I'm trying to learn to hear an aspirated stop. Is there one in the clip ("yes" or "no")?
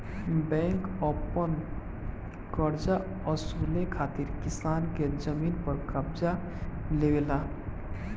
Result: yes